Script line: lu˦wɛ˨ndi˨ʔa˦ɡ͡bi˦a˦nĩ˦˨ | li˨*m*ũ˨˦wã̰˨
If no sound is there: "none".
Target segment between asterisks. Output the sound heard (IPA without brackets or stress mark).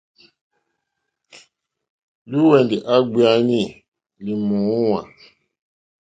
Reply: m